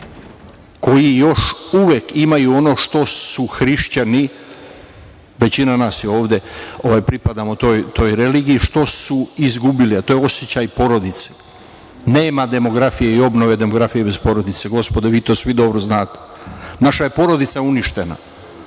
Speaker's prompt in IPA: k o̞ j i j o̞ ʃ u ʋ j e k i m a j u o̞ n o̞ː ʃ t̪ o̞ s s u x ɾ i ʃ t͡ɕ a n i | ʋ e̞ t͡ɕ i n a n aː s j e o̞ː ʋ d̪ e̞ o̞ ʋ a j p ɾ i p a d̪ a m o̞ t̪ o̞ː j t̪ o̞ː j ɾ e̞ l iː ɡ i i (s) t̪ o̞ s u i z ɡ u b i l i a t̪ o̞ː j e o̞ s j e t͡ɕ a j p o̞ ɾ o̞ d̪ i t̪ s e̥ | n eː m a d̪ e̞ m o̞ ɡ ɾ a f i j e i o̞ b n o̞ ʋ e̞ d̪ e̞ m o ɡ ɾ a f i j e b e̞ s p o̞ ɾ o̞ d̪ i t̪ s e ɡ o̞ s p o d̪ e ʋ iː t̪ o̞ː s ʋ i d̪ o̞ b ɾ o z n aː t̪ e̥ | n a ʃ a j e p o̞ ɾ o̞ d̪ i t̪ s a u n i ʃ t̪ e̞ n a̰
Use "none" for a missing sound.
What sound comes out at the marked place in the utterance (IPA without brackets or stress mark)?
ʃ